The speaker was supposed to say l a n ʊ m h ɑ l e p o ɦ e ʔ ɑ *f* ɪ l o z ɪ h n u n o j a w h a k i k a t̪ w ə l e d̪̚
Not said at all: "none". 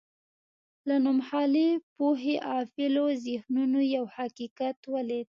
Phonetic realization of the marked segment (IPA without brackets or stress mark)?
f